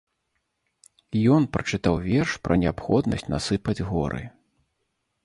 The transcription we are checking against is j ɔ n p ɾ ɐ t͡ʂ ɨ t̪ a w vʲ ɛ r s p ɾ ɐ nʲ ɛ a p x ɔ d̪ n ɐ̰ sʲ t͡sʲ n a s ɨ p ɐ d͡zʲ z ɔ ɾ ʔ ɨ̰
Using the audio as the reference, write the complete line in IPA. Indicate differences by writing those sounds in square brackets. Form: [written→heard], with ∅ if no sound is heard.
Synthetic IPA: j ɔ n p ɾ ɐ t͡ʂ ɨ t̪ a w vʲ ɛ r [s→ʂ] p ɾ ɐ nʲ ɛ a p x ɔ d̪ n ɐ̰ sʲ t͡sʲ n a s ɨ p ɐ d͡zʲ [z→ɣ] ɔ ɾ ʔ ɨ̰